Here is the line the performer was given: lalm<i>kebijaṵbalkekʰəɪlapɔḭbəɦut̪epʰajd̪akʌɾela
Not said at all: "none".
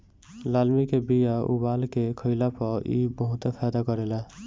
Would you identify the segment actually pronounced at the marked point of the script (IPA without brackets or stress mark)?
i